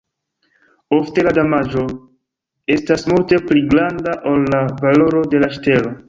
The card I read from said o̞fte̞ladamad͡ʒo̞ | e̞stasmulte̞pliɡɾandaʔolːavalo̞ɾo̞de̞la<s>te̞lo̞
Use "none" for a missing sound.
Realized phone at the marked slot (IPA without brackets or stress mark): ʃ